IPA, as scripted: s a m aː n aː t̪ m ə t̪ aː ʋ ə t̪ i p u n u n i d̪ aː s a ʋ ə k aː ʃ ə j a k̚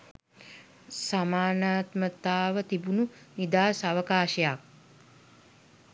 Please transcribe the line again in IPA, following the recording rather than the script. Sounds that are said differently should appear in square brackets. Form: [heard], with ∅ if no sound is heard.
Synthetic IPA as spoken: s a m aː n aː t̪ m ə t̪ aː ʋ ə t̪ i [b] u n u n i d̪ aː s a ʋ ə k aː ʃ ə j a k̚

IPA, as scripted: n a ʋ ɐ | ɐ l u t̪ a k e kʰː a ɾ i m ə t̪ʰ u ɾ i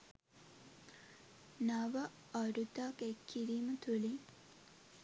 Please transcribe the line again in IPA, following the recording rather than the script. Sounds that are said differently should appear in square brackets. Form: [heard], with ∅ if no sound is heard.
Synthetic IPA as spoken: n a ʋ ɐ | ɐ [ɾ] u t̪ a k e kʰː [i] ɾ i m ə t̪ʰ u [l] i

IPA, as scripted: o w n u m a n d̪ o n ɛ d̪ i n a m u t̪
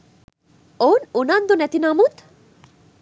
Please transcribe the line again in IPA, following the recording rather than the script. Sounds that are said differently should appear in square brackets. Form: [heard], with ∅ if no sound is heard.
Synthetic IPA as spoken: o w n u [n] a n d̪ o n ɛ [t̪] i n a m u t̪

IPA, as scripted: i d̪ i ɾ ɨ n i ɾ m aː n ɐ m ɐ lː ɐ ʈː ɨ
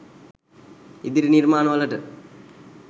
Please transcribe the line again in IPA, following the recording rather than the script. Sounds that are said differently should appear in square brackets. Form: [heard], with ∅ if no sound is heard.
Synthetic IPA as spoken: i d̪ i ɾ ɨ n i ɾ m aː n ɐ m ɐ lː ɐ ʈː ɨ

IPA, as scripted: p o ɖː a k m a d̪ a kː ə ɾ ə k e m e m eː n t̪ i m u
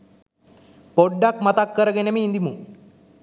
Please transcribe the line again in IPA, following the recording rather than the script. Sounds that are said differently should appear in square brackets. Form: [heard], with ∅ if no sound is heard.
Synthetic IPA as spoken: p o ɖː a k m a [t̪] a kː ə ɾ ə [ɡ] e [n] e m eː n [d̪] i m u

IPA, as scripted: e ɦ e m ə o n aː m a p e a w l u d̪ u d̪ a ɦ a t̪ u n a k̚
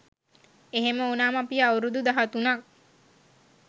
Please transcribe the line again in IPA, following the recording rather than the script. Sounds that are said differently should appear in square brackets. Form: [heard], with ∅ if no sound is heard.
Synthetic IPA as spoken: e ɦ e m ə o n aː m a p [i] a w [ɾ] u d̪ u d̪ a ɦ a t̪ u n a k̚

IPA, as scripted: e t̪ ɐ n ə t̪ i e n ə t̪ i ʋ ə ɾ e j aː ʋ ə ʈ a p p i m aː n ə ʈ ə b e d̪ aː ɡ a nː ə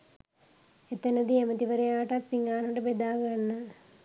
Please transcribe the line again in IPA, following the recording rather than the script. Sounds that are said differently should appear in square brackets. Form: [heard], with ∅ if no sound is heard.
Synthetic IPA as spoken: e t̪ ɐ n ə [d̪] i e [m] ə t̪ i ʋ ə ɾ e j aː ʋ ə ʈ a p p i [ŋ] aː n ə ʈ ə b e d̪ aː ɡ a nː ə

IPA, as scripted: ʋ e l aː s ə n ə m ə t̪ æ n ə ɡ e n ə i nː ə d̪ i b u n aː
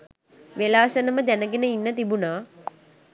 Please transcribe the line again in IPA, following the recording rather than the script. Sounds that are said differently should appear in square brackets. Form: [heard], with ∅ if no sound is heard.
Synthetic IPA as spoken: ʋ e l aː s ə n ə m ə [d̪] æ n ə ɡ e n ə i nː ə [t̪] i b u n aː

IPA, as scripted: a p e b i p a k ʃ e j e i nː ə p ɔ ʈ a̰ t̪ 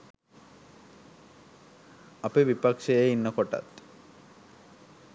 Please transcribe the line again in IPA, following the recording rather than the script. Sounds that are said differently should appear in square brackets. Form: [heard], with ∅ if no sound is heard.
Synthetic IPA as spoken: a p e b i p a k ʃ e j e i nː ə [k] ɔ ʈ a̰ t̪

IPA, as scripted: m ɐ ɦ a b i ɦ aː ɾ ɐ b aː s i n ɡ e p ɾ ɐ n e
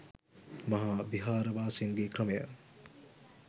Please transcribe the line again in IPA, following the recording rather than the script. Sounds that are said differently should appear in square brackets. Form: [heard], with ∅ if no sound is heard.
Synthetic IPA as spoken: m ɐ ɦ a b i ɦ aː ɾ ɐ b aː s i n ɡ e [k] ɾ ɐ [m] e

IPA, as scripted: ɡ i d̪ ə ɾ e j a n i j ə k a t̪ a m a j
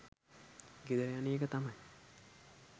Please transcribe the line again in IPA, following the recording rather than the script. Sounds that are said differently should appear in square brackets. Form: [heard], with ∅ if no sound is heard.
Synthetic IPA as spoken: ɡ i d̪ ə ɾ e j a n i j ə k [ə] t̪ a m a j

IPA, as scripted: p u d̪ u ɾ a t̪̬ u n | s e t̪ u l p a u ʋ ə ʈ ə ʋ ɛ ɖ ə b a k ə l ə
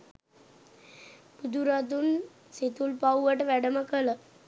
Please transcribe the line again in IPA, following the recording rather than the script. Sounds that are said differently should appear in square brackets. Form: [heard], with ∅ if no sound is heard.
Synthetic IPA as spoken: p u d̪ u ɾ a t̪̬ u n | s e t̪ u l p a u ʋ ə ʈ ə ʋ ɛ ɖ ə [m] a k ə l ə

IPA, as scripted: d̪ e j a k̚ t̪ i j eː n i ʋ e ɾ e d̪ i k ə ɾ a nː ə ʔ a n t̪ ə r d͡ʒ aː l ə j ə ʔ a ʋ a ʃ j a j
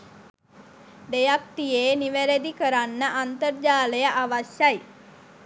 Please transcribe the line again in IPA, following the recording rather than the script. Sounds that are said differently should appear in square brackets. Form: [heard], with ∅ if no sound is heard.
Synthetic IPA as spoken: d̪ e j a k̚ t̪ i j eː n i ʋ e ɾ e d̪ i k ə ɾ a nː ə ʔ a n t̪ ə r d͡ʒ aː l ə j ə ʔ a ʋ a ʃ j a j

